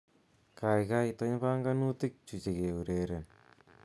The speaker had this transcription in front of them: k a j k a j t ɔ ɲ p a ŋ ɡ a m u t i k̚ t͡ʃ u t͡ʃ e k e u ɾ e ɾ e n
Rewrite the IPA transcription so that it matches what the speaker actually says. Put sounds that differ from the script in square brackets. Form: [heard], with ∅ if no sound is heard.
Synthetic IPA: k a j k a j t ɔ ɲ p a ŋ ɡ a [n] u t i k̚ t͡ʃ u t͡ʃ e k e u ɾ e ɾ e n